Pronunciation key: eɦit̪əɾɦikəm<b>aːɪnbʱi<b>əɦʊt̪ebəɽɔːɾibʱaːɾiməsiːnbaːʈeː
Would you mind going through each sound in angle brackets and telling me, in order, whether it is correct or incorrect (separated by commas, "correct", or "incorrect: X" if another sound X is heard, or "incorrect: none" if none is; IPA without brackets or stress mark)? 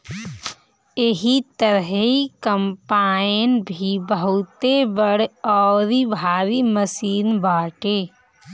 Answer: incorrect: p, correct